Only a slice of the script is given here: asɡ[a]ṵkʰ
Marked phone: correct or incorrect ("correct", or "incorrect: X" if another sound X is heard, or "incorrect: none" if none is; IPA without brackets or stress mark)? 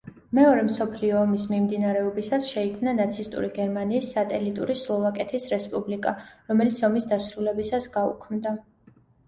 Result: correct